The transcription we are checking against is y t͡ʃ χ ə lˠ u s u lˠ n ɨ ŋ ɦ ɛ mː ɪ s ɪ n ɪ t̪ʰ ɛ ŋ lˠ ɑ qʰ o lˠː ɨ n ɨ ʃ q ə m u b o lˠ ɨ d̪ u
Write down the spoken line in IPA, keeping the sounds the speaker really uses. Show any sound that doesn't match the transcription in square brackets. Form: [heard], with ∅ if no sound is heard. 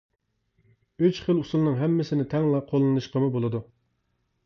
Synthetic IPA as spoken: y t͡ʃ χ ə lˠ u s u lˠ n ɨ ŋ ɦ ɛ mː ɪ s ɪ n ɪ t̪ʰ ɛ ŋ lˠ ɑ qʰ o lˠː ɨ n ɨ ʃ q ə m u b o lˠ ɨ d̪ u

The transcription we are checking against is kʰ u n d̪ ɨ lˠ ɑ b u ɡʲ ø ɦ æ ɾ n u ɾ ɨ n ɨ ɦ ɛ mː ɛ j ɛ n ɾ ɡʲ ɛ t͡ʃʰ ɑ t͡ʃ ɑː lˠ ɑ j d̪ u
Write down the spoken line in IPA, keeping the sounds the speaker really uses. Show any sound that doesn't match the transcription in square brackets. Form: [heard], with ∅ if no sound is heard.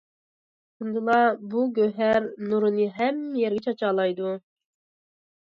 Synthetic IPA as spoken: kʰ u n d̪ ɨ lˠ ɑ b u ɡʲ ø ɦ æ ɾ n u ɾ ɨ n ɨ ɦ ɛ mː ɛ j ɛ [∅] ɾ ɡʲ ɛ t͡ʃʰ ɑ t͡ʃ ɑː lˠ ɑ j d̪ u

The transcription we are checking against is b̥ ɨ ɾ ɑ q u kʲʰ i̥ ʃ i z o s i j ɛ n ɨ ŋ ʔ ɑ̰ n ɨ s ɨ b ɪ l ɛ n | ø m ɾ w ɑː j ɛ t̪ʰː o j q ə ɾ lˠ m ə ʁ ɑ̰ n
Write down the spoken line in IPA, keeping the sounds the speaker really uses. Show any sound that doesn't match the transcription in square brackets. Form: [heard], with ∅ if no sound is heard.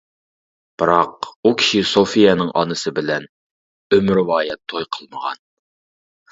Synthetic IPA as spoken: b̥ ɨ ɾ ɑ q u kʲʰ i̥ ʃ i [s] o [f] i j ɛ n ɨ ŋ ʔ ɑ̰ n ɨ s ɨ b ɪ l ɛ n | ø m ɾ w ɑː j ɛ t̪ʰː o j [qʰ] ə [∅] lˠ m ə ʁ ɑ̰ n

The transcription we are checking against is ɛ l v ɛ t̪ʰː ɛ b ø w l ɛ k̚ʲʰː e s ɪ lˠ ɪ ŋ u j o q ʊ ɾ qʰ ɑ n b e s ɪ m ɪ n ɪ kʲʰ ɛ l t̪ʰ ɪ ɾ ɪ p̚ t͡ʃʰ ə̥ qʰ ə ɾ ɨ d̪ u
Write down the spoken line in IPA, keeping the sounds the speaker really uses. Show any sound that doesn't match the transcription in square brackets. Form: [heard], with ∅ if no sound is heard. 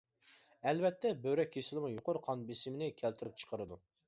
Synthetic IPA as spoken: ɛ l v ɛ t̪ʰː ɛ b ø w [ɾ] ɛ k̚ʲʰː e s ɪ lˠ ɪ [m] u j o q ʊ ɾ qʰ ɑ n b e s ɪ m ɪ n ɪ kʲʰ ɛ l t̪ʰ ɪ ɾ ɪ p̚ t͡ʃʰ ə̥ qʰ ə ɾ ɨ d̪ u

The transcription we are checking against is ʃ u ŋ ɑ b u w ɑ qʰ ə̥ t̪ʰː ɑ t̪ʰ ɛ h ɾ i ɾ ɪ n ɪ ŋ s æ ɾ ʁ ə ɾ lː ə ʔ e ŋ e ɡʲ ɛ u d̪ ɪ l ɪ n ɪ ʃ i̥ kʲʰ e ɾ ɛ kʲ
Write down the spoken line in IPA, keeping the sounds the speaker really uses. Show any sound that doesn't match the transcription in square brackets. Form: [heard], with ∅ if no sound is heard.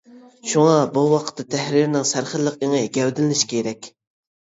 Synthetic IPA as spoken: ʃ u ŋ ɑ b u w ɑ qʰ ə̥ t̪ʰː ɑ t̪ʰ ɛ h ɾ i ɾ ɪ n ɪ ŋ s æ ɾ [χ] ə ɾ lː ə [q] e ŋ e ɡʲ ɛ [w] d̪ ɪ l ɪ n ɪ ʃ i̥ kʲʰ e ɾ ɛ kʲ

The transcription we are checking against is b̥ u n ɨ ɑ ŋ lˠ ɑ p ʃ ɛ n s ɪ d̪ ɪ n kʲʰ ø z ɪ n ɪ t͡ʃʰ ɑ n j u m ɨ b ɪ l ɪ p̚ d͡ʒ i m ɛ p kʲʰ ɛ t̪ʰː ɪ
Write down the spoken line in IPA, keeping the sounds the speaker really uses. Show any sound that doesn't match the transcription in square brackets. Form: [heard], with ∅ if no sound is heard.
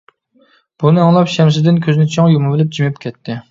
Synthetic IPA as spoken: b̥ u n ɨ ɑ ŋ lˠ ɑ p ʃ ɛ [m] s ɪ d̪ ɪ n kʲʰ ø z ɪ n ɪ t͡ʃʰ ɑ [ŋ] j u m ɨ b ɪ l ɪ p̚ d͡ʒ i m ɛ p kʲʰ ɛ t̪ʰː ɪ

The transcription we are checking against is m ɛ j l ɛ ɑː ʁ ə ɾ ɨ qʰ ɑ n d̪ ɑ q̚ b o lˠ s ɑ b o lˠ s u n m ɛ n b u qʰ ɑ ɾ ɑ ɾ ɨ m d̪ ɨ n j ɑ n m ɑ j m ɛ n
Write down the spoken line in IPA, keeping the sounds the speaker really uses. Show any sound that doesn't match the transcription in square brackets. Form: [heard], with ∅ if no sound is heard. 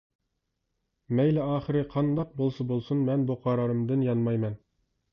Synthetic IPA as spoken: m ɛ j l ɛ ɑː [χ] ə ɾ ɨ qʰ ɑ n d̪ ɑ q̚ b o lˠ s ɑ b o lˠ s u n m ɛ n b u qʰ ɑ ɾ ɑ ɾ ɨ m d̪ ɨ n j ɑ n m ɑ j m ɛ n

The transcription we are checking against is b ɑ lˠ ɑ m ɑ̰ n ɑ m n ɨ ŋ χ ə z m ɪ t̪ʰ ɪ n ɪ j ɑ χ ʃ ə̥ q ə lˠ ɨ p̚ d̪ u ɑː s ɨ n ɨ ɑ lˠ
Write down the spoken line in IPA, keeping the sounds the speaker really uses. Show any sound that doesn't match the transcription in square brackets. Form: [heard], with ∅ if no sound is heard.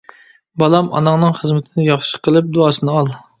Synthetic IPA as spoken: b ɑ lˠ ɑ m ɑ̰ n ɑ [ŋ] n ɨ ŋ χ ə z m ɪ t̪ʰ ɪ n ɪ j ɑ χ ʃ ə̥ q ə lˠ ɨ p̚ d̪ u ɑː s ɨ n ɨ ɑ lˠ

